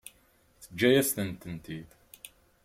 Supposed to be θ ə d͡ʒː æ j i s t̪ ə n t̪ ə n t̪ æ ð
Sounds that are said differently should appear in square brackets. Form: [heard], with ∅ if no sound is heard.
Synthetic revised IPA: θ ə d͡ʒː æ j [æ] s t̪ ə n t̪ ə n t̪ [i] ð